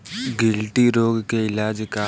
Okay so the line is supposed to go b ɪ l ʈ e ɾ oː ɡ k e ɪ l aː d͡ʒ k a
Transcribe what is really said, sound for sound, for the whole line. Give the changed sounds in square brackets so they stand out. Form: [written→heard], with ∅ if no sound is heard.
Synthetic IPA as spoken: [b→ɡ] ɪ l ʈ [e→i] ɾ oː ɡ k e ɪ l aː d͡ʒ k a